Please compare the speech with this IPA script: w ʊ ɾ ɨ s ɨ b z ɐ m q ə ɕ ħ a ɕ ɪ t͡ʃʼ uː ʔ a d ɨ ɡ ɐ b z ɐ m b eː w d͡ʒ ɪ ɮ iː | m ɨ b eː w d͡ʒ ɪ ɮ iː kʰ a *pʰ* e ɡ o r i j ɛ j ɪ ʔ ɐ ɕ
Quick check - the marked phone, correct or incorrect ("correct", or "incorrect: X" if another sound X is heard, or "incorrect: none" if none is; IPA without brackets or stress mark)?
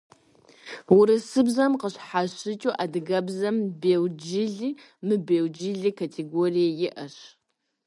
incorrect: tʰ